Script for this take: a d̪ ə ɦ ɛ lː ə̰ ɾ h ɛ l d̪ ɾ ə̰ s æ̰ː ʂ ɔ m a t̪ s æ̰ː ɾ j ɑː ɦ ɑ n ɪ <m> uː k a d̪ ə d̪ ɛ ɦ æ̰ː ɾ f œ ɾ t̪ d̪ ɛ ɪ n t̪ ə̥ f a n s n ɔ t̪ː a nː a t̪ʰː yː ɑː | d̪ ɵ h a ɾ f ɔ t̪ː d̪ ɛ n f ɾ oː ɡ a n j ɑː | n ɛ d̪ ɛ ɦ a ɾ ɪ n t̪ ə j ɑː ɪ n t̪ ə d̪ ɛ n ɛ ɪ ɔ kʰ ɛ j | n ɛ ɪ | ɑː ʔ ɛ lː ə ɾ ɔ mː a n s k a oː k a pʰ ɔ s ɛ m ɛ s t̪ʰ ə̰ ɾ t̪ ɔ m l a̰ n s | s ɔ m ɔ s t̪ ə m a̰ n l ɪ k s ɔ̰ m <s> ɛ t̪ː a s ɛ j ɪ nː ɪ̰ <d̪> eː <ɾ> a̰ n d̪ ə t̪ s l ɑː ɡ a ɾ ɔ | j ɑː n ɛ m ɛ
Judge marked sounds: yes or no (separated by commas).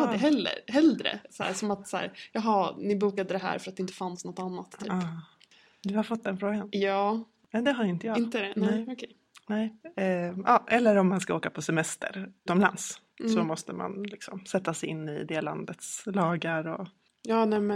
no, yes, yes, no